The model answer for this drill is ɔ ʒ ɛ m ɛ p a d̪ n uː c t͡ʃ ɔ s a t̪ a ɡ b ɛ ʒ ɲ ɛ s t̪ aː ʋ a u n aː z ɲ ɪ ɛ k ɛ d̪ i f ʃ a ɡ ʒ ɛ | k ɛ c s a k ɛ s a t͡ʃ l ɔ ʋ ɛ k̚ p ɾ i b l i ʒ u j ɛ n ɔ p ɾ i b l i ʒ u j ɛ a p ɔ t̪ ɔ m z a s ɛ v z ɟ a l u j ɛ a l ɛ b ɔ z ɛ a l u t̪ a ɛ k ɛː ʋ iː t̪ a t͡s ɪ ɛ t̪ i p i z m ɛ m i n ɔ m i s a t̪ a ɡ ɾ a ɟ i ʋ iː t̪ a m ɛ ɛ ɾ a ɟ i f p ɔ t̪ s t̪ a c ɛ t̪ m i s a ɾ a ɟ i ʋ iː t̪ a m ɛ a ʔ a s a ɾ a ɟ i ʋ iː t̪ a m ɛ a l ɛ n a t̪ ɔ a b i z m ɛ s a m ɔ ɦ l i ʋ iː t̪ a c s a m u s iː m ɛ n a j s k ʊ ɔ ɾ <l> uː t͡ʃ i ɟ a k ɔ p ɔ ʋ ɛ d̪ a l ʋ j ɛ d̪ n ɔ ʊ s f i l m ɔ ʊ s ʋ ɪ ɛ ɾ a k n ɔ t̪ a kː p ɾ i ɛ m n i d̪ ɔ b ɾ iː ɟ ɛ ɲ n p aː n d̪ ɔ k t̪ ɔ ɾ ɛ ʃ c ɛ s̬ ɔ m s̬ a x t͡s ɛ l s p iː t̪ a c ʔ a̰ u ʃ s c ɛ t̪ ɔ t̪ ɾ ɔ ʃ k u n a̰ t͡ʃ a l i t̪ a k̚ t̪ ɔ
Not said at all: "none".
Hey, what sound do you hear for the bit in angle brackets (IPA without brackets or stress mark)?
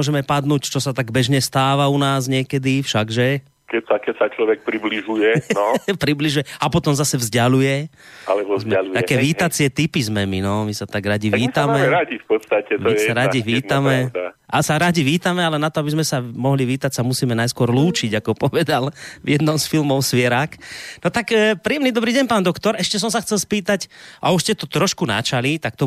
l